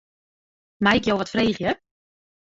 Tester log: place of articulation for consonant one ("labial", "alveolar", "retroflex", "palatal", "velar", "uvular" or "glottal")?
labial